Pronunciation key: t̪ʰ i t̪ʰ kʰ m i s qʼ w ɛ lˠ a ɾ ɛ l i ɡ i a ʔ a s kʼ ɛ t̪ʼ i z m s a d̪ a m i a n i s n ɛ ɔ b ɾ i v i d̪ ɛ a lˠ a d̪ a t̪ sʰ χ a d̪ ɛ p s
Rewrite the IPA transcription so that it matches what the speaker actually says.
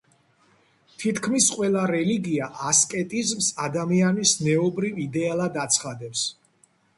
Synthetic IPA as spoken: t̪ʰ i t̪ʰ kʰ m i s qʼ w ɛ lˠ a ɾ ɛ l i ɡ i a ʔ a s kʼ ɛ t̪ʼ i z m s a d̪ a m i a n i s n ɛ ɔ b ɾ i v i d̪ ɛ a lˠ a d̪ a t̪ sʰ χ a d̪ ɛ p s

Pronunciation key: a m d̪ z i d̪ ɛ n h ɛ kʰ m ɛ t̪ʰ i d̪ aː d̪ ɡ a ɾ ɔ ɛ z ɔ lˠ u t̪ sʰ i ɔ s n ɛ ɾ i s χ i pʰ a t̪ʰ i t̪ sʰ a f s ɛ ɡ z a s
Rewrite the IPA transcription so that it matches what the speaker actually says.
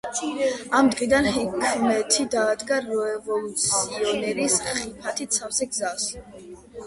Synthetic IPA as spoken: a m d̪ ʁ i d̪ a n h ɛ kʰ m ɛ t̪ʰ i d̪ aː d̪ ɡ a ɾ ɔ ɛ v ɔ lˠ u t̪ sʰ i ɔ n ɛ ɾ i s χ i pʰ a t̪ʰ i t̪ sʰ a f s ɛ ɡ z a s

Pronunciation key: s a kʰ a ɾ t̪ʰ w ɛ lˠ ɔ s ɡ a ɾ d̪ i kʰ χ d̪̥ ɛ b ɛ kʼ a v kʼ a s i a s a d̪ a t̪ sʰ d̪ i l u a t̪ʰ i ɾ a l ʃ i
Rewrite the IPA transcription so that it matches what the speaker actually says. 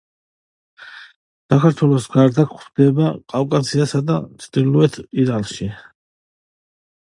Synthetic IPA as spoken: s a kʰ a ɾ t̪ʰ w ɛ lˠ ɔ s ɡ a ɾ d̪ a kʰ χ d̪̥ ɛ b a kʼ a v kʼ a s i a s a d̪ a t̪ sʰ d̪ i l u ɛ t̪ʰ i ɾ a l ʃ i

